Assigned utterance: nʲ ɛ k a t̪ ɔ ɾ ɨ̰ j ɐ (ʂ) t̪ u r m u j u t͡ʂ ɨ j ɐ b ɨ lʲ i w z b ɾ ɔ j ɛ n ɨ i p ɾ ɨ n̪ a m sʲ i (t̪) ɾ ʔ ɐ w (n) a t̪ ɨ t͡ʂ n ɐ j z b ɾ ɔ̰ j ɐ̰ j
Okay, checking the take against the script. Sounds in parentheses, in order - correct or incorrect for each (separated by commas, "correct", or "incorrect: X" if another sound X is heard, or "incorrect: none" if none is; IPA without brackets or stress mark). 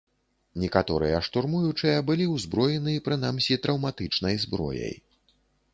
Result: correct, correct, incorrect: m